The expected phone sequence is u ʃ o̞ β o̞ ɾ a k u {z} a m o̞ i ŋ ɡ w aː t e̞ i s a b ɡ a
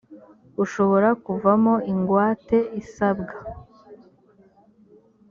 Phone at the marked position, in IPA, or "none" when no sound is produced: v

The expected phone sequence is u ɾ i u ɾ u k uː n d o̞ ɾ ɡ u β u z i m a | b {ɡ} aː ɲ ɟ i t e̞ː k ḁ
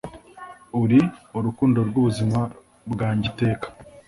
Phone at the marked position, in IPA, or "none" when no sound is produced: ɡ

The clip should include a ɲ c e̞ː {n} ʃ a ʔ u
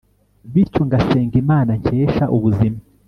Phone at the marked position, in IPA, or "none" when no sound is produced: none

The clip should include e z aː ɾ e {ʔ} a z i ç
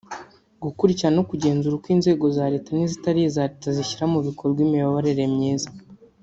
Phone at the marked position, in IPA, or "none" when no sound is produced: t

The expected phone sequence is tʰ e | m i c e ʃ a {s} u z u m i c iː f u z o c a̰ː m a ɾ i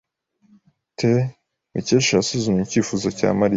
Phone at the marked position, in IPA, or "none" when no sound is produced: s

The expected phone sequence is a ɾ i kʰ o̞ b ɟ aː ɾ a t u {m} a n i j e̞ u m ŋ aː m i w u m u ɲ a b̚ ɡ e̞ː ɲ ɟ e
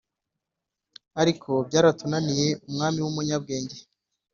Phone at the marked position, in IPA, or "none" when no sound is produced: n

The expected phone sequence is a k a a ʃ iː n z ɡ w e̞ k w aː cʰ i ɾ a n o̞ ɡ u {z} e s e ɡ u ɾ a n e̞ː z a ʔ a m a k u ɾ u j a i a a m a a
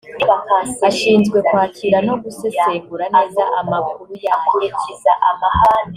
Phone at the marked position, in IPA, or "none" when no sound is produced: s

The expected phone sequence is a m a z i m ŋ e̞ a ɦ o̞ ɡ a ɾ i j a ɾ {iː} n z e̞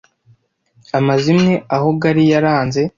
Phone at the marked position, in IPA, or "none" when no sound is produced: aː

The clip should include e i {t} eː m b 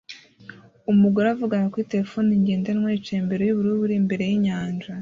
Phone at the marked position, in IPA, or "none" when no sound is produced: t͡ʃ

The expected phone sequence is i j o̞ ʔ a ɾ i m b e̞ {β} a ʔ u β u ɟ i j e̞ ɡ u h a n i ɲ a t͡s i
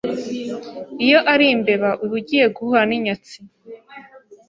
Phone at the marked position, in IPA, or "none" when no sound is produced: β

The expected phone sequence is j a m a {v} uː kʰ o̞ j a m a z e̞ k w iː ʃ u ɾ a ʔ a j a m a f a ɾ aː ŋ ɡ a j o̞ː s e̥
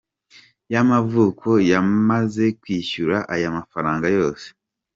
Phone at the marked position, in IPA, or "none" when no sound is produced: v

